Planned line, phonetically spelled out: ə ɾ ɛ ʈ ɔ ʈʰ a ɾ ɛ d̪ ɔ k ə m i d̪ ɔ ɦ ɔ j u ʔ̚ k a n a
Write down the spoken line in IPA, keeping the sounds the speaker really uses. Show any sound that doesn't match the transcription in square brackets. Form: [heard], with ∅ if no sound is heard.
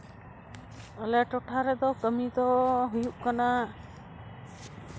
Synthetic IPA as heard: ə [l] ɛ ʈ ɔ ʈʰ a ɾ ɛ d̪ ɔ k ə m i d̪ ɔ ɦ [u] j u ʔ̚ k a n a